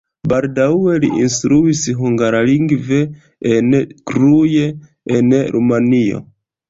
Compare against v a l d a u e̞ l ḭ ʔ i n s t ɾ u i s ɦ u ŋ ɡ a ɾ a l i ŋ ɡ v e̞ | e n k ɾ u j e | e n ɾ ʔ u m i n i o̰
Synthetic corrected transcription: b a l d a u e̞ l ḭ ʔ i n s t ɾ u i s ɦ u ŋ ɡ a ɾ a l i ŋ ɡ v e̞ | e n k ɾ u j e | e n ɾ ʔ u m a n i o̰